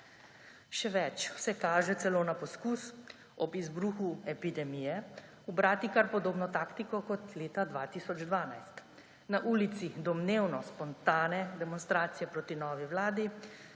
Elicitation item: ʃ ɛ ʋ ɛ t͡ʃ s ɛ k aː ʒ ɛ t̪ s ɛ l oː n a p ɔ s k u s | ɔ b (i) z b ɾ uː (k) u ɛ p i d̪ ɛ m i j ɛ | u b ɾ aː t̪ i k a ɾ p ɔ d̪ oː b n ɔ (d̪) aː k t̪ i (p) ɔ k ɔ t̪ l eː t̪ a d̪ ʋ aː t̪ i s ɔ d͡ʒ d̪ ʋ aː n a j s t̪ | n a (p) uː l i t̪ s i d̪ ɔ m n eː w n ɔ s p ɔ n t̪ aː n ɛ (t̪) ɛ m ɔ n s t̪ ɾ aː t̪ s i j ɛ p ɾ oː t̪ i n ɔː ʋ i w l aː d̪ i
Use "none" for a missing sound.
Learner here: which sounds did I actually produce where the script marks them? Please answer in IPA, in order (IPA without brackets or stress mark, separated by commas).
i, x, t̪, k, ʔ, d̪